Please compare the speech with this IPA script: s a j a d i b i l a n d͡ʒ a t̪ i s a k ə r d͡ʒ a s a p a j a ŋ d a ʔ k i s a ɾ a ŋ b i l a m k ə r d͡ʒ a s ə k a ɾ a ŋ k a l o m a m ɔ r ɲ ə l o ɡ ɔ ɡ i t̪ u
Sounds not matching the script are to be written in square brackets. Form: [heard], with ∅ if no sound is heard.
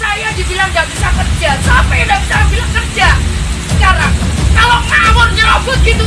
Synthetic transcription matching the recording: s a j a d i b i l a [ŋ] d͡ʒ a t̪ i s a k ə r d͡ʒ a s a p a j a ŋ d a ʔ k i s a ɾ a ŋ b i l a [ŋ] k ə r d͡ʒ a s ə k a ɾ a ŋ k a l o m a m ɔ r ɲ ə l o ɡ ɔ ɡ i t̪ u